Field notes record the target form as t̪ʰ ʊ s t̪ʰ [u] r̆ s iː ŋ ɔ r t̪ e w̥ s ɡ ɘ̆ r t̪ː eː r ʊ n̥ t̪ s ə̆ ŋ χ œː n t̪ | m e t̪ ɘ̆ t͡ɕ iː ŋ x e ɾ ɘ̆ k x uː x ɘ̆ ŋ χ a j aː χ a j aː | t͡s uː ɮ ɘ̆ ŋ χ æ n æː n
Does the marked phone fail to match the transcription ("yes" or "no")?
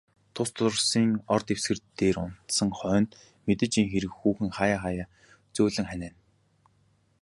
yes